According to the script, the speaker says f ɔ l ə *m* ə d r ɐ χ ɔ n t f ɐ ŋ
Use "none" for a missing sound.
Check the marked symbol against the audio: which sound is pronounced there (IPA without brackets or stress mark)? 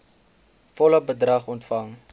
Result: b